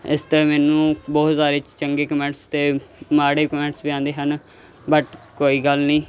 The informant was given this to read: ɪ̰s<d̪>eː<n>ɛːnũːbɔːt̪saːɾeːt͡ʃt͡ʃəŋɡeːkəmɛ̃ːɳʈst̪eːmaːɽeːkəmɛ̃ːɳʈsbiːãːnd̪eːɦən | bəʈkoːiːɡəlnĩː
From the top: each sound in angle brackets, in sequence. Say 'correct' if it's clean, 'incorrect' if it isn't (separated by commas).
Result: incorrect, incorrect